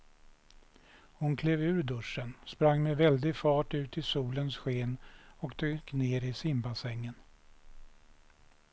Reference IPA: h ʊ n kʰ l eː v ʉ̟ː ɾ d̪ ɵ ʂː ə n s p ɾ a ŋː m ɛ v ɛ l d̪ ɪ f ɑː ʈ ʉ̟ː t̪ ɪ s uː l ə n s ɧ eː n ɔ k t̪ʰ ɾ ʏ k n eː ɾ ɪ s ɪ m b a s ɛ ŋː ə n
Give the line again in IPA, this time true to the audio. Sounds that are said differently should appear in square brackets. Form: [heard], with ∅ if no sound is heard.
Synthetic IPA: h ʊ n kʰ l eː v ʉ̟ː ɾ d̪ ɵ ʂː ə n s p ɾ a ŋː m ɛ v ɛ l d̪ ɪ f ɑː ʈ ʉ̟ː t̪ ɪ s uː l ə n s ɧ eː n ɔ k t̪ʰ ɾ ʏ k n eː ɾ ɪ s ɪ m b a s ɛ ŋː ə n